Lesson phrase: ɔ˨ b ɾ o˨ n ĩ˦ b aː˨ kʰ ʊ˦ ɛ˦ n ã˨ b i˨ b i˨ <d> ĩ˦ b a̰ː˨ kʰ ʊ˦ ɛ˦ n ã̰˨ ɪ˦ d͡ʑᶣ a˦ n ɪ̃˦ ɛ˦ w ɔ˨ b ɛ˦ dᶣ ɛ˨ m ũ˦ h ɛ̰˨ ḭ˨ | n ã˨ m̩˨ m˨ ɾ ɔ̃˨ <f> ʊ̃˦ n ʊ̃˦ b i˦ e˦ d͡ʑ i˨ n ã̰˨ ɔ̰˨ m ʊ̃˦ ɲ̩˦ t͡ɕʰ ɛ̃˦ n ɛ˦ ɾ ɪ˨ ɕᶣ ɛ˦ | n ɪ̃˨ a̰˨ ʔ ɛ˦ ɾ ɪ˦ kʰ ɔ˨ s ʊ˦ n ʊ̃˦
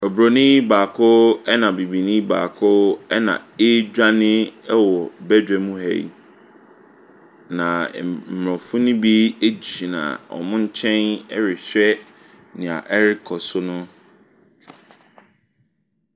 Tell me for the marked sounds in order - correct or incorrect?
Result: incorrect: n, correct

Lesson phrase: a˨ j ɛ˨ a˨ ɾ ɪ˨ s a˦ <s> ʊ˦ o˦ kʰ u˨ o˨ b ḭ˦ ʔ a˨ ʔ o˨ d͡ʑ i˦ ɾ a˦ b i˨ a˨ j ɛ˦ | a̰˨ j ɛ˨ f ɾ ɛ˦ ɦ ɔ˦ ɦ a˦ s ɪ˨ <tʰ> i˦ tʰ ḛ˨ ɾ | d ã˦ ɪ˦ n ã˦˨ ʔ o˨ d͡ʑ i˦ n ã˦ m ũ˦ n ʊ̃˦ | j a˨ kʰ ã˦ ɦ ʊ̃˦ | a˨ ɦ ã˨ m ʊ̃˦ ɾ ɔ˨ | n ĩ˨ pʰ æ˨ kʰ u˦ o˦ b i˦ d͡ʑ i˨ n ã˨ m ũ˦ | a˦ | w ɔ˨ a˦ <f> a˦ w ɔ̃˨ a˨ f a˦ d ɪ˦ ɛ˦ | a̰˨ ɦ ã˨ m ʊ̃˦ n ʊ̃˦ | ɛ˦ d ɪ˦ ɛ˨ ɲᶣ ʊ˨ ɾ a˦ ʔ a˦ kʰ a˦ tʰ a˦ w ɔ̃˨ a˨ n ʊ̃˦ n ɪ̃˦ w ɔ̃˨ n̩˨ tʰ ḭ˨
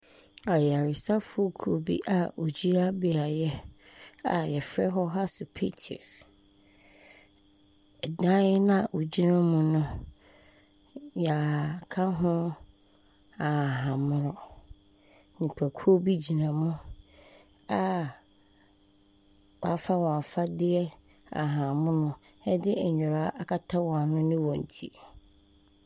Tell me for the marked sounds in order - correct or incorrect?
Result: incorrect: f, incorrect: pʰ, correct

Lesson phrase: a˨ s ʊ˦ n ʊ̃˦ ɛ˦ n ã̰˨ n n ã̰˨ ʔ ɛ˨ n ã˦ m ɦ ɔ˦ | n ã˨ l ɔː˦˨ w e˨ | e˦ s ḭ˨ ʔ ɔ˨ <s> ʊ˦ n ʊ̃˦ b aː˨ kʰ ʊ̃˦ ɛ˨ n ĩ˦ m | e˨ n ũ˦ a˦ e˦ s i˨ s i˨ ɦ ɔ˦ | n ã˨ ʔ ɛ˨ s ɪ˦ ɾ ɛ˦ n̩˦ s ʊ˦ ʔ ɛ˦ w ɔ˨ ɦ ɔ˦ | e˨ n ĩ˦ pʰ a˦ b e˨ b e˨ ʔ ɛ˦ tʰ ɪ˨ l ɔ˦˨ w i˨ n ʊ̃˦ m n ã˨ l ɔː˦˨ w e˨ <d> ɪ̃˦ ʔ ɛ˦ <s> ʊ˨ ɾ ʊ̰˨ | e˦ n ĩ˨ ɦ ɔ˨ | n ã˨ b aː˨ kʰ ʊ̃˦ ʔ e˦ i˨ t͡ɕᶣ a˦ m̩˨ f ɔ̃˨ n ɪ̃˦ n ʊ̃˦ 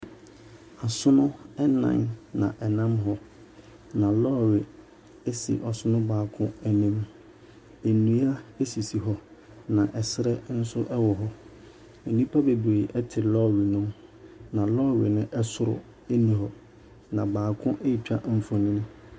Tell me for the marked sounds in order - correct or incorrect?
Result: correct, incorrect: n, correct

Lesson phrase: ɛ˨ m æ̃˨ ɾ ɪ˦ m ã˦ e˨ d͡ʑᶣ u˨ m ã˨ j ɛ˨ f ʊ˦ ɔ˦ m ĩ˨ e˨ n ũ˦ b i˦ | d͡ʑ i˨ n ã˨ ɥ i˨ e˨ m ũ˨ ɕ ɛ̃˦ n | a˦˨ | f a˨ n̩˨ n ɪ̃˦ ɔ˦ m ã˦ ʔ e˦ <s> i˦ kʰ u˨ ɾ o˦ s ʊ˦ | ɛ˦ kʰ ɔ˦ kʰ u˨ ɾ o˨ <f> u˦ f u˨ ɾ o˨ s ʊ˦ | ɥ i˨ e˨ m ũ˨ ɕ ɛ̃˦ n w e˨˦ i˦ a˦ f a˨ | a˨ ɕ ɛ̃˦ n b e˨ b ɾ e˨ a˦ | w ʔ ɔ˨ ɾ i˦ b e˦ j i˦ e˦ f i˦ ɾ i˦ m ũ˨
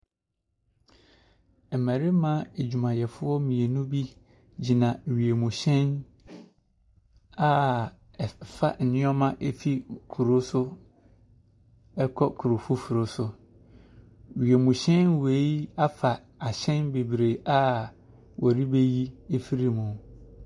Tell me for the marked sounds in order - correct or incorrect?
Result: incorrect: f, correct

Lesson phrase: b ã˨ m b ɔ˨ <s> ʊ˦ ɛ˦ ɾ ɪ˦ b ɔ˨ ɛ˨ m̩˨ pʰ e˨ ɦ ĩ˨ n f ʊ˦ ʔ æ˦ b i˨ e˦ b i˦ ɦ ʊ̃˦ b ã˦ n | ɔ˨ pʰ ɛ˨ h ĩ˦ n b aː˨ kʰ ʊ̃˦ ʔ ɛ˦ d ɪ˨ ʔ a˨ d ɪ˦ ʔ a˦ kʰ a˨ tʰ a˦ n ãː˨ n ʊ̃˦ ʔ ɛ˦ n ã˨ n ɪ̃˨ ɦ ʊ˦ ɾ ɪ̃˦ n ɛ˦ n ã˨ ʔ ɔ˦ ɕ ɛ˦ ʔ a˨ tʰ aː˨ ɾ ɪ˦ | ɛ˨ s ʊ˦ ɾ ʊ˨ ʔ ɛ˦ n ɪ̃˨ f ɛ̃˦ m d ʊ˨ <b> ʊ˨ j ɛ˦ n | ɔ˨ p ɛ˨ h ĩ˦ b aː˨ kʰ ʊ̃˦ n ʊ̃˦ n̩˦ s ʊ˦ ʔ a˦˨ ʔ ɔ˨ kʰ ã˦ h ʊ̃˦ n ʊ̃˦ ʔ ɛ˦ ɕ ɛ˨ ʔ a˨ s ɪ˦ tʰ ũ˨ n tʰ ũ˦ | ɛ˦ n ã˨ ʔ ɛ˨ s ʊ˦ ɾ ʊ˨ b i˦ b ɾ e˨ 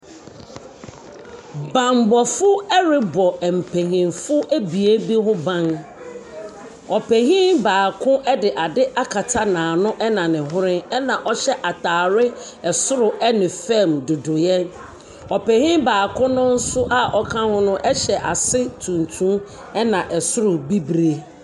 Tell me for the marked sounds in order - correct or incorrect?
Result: incorrect: f, incorrect: d

